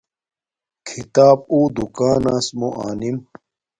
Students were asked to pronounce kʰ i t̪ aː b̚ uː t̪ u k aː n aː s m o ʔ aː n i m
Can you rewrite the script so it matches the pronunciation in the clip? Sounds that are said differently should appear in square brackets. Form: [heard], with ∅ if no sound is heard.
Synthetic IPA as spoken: kʰ i t̪ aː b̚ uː [d̪] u k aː n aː s m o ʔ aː n i m